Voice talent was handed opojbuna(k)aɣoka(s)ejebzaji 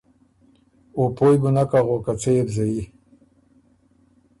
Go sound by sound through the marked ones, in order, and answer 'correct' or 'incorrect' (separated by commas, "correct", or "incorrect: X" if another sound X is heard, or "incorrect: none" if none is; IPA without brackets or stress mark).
correct, incorrect: t͡s